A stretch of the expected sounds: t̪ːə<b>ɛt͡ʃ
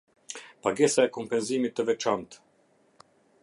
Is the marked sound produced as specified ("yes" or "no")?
no